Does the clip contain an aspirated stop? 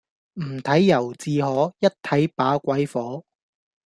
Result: yes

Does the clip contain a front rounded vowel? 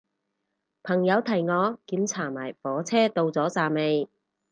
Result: no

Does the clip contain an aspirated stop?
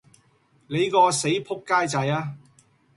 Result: yes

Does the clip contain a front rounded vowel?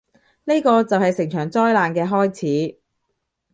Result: yes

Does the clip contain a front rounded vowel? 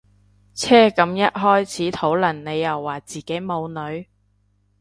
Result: no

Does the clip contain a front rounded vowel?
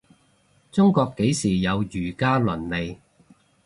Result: yes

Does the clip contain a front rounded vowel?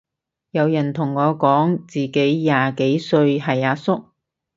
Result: no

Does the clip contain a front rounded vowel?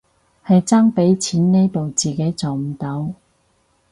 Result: no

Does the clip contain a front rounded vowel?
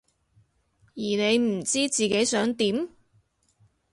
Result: yes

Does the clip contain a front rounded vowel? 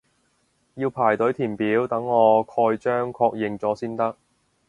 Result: yes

